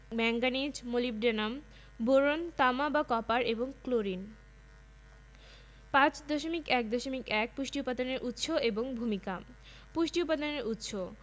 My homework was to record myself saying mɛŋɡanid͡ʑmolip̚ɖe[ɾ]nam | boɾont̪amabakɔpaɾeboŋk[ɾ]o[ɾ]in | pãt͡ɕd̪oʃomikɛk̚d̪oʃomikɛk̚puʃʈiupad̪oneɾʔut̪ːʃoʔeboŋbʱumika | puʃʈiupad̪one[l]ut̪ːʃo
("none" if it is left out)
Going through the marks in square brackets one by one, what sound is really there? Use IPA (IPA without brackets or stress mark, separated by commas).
none, l, ɾ, ɾ